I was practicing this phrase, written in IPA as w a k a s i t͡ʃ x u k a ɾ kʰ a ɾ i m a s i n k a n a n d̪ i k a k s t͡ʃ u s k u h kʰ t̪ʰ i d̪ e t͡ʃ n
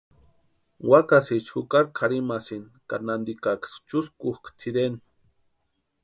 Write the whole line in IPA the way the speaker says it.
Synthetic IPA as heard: w a k a s i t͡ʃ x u k a ɾ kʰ a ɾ i m a s i n k a n a n d̪ i k a k s t͡ʃ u s k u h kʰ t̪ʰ i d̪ e n